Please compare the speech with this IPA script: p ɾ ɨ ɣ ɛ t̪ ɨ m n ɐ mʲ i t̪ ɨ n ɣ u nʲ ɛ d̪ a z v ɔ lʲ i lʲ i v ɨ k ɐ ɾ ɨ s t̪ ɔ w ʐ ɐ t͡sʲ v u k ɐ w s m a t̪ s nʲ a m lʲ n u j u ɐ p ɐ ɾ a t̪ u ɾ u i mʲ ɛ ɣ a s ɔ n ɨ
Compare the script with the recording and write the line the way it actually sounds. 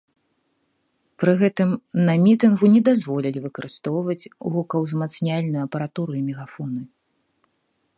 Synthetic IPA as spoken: p ɾ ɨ ɣ ɛ t̪ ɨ m n ɐ mʲ i t̪ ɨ n ɣ u nʲ ɛ d̪ a z v ɔ lʲ i lʲ i v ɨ k ɐ ɾ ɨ s t̪ ɔ w v ɐ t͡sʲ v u k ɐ w z m a t̪ s nʲ a lʲ n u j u ɐ p ɐ ɾ a t̪ u ɾ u i mʲ ɛ ɣ a f ɔ n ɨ